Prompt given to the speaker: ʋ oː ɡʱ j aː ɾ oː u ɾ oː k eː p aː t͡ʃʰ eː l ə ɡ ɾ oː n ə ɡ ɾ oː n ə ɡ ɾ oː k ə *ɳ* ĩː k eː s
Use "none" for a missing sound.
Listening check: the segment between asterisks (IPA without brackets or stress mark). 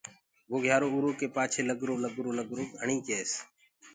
ɳ